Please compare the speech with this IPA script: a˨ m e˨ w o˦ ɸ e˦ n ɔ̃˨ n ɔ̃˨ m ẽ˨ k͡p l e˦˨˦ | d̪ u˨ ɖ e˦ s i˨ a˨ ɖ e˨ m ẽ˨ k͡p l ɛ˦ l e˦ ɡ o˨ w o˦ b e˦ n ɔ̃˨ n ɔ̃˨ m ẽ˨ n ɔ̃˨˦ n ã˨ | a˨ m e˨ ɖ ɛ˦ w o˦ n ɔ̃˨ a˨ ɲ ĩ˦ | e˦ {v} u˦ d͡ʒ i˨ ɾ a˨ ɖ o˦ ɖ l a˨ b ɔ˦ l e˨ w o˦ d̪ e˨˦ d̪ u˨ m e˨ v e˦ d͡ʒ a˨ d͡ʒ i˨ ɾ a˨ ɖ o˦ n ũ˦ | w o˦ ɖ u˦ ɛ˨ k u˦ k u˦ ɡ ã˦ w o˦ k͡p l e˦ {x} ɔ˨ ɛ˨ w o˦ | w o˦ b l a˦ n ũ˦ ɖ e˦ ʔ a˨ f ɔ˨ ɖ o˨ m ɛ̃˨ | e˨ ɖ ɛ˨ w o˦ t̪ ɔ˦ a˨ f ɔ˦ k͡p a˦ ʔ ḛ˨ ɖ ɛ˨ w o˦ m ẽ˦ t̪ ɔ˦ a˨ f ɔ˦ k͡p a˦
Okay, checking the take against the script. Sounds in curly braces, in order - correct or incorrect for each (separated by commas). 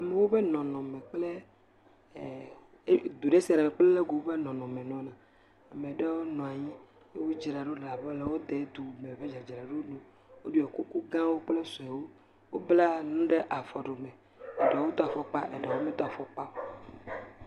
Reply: incorrect, incorrect